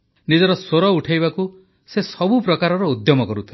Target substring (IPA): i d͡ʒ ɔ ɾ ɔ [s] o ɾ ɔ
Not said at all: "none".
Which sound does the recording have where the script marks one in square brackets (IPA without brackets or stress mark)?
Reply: s